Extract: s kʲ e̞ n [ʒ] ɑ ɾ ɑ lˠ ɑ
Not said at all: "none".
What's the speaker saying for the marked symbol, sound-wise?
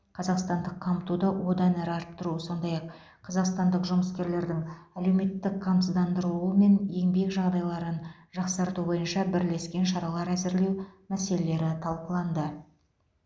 ʃ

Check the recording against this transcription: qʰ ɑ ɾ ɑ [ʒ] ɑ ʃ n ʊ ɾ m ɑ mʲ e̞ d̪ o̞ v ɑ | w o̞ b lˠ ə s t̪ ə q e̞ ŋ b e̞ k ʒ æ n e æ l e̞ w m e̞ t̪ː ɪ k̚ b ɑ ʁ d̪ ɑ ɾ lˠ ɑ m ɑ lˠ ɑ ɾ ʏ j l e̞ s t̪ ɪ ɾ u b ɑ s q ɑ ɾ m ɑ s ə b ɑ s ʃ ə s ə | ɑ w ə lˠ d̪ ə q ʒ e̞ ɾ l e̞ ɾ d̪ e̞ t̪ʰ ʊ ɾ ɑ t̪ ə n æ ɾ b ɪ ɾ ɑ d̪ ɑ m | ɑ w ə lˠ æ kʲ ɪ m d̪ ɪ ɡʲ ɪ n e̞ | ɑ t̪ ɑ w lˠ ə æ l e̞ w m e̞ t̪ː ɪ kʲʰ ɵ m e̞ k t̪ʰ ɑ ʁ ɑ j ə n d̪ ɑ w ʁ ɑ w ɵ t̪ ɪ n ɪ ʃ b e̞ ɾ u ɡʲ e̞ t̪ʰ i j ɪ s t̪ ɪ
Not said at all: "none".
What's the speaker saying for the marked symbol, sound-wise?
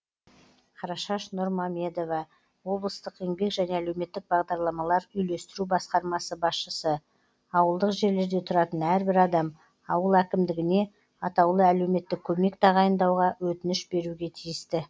ʃ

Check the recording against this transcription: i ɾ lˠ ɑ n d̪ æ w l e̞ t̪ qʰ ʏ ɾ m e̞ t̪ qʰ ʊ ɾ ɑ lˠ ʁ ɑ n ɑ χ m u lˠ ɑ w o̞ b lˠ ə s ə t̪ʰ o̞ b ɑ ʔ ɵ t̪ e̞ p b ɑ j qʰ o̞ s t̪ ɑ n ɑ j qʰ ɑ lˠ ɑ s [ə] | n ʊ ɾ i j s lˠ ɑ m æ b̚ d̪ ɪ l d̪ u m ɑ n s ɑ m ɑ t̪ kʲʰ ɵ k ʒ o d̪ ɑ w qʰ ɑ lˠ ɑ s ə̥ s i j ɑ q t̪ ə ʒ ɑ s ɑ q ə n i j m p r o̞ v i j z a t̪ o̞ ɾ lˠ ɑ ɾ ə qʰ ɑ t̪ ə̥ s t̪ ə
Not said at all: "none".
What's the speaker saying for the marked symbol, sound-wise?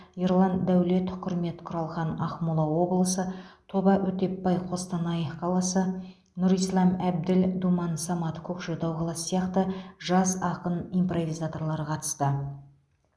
ə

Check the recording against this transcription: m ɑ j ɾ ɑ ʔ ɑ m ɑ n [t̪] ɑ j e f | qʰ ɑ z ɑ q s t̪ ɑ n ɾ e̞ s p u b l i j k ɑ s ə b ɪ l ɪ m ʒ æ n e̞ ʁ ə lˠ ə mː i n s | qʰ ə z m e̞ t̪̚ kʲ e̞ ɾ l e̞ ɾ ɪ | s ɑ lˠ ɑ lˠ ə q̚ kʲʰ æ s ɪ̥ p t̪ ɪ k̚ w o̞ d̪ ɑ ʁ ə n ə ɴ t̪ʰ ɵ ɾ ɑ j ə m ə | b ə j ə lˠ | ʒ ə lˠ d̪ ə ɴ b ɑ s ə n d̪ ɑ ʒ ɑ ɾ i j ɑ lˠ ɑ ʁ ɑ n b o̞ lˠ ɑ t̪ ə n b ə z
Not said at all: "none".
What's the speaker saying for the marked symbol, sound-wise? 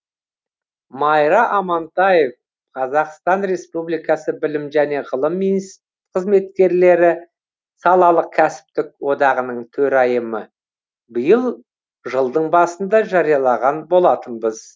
t̪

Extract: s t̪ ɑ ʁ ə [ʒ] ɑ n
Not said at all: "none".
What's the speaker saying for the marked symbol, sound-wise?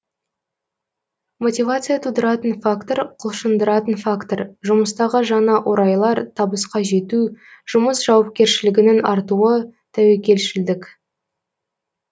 ʒ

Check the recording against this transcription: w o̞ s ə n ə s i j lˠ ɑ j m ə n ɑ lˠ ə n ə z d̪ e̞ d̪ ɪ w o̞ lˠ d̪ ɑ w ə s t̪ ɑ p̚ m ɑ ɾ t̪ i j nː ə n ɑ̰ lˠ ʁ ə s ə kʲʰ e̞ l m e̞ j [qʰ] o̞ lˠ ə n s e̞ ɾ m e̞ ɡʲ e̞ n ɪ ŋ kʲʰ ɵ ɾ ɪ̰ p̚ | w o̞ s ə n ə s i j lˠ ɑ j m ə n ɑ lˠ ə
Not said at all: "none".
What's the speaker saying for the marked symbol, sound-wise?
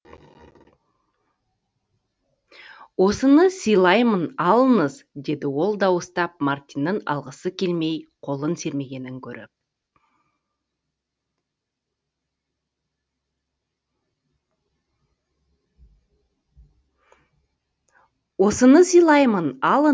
qʰ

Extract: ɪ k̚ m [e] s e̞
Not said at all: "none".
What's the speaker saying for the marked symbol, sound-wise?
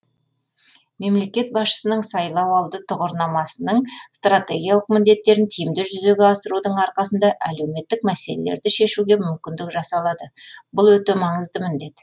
æ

